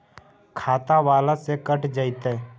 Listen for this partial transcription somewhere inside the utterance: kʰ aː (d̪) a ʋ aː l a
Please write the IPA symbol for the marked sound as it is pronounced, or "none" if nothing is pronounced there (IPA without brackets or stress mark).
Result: t̪